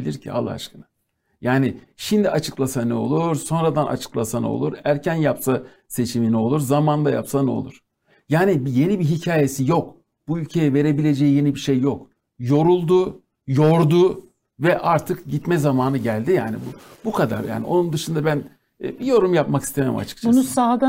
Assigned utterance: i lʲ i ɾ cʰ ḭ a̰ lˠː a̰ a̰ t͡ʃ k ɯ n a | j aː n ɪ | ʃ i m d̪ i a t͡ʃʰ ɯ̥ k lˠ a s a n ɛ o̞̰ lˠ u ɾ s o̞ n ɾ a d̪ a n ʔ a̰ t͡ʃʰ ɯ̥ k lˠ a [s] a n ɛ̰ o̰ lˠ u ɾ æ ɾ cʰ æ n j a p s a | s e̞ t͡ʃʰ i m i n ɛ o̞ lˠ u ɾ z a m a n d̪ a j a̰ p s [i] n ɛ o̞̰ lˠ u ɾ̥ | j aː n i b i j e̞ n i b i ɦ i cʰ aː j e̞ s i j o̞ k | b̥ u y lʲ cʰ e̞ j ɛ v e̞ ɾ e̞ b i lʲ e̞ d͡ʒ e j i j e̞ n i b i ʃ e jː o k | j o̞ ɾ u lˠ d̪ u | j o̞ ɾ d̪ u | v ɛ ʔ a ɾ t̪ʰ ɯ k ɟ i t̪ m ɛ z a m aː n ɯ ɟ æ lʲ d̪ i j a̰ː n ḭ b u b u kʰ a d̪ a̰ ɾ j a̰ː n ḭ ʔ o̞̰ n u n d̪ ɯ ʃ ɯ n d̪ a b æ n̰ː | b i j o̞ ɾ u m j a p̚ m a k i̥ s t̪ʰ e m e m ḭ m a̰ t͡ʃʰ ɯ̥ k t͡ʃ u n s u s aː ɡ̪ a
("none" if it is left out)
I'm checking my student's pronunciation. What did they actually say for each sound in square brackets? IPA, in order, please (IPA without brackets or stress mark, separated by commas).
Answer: s, a